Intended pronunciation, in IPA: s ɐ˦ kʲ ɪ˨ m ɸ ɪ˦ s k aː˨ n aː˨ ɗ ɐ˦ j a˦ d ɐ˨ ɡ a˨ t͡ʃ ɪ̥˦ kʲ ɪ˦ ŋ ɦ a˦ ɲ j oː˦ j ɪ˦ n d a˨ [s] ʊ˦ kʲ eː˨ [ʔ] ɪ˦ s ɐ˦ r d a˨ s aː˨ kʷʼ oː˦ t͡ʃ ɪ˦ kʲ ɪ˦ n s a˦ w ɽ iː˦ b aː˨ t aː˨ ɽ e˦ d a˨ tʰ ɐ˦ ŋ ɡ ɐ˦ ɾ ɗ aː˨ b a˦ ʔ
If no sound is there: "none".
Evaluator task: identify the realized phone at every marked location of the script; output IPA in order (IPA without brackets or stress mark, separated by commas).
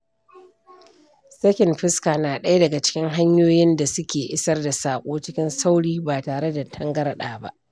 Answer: s, ʔ